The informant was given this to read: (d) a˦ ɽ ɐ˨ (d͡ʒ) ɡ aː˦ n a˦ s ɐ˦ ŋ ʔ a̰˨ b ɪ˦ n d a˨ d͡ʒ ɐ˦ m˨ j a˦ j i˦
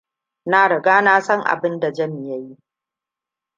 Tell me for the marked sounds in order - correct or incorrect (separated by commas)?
incorrect, incorrect